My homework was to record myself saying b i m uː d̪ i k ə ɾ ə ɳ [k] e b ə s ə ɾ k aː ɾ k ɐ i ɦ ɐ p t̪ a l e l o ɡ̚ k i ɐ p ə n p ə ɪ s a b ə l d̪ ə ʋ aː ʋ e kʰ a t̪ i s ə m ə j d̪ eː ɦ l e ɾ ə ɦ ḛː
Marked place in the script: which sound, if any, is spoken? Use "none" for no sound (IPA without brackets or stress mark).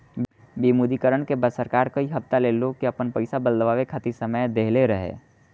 k